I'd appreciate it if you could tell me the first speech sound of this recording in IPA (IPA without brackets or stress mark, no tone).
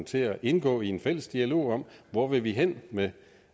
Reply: t͡sʰ